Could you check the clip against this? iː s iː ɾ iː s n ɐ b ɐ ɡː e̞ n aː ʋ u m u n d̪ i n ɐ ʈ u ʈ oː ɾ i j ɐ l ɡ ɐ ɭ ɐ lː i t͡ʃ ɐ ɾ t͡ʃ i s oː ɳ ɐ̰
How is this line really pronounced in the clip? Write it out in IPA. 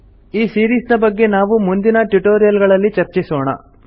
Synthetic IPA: iː s iː ɾ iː s n ɐ b ɐ ɡː e̞ n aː ʋ u m u n d̪ i n ɐ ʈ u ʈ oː ɾ i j ɐ l ɡ ɐ ɭ ɐ lː i t͡ʃ ɐ ɾ t͡ʃ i s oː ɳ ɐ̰